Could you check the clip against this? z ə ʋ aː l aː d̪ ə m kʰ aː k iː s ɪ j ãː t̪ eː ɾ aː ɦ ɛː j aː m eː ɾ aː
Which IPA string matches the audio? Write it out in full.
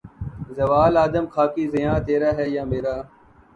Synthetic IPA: z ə ʋ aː l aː d̪ ə m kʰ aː k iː z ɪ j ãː t̪ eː ɾ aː ɦ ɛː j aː m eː ɾ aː